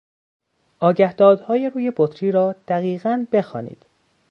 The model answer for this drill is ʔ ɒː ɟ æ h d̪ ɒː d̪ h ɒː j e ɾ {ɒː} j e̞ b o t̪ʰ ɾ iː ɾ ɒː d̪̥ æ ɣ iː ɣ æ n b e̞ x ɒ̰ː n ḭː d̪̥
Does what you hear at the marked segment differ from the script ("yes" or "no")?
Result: yes